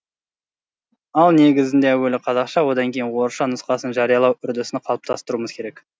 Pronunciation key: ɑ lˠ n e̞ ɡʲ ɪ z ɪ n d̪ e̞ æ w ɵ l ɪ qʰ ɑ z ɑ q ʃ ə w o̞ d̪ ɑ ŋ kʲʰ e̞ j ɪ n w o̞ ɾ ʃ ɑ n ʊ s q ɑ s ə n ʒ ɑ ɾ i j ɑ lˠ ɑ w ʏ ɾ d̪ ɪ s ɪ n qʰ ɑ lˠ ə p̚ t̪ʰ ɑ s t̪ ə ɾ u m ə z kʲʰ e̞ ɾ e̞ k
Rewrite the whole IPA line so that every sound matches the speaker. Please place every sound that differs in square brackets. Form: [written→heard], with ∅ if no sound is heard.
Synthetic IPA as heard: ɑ lˠ n e̞ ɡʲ ɪ z ɪ n d̪ e̞ æ w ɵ l ɪ qʰ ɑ z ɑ q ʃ [ə→ɑ] w o̞ d̪ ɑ ŋ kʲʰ e̞ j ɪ n w o̞ ɾ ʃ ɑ n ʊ s q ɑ s ə n ʒ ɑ ɾ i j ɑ lˠ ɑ w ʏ ɾ d̪ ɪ s ɪ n qʰ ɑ lˠ ə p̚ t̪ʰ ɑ s t̪ ə ɾ u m ə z kʲʰ e̞ ɾ e̞ k